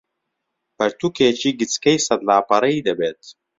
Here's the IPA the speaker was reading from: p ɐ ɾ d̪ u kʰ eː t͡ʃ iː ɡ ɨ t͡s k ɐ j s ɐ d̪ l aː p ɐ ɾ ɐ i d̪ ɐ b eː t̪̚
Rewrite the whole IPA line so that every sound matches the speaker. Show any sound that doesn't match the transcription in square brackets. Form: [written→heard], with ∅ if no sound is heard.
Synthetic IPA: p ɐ ɾ [d̪→t̪] u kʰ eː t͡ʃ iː ɡ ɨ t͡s k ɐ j s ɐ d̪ l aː p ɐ ɾ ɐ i d̪ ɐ b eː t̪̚